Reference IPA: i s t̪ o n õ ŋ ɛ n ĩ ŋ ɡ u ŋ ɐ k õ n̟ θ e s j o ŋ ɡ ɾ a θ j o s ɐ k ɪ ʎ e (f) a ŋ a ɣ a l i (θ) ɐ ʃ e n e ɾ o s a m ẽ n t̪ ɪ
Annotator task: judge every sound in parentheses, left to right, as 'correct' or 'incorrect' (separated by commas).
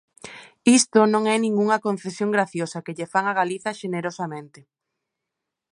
correct, correct